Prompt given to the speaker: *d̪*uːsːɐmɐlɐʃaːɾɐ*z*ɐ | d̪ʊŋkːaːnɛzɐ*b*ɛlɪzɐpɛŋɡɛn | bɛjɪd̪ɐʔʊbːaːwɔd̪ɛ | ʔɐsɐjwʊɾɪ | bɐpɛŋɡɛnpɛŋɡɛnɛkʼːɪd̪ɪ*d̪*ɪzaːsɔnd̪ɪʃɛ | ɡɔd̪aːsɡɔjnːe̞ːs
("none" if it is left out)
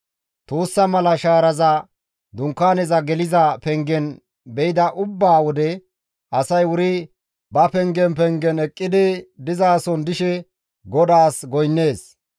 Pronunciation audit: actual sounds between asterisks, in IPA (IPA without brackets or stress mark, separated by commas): t̪, z, ɡ, d̪